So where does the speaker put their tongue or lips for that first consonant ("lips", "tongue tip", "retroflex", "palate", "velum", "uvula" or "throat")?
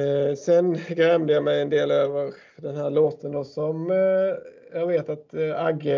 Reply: tongue tip